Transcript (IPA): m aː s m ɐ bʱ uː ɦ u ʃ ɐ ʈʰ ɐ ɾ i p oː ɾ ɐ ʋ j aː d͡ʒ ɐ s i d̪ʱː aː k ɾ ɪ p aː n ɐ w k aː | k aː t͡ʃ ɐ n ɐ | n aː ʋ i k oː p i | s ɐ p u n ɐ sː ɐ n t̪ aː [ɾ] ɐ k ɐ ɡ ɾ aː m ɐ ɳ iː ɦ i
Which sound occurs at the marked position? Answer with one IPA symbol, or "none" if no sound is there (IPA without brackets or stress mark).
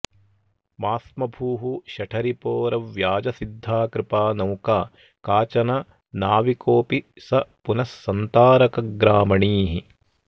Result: ɾ